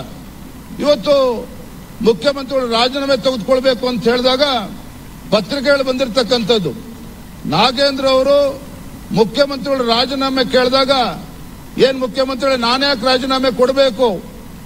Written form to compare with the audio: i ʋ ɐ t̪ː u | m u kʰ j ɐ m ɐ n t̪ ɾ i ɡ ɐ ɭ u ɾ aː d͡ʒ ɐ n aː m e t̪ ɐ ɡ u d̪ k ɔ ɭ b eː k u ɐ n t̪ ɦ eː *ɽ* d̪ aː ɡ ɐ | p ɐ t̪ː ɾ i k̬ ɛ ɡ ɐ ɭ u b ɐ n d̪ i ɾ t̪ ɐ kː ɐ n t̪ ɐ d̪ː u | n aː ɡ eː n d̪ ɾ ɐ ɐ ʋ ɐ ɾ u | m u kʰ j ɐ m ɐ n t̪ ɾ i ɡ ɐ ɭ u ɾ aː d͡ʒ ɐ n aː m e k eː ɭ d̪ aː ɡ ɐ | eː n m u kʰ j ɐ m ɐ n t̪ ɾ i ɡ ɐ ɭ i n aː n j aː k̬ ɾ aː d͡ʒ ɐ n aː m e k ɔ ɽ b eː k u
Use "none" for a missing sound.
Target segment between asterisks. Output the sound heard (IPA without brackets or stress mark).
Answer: ɭ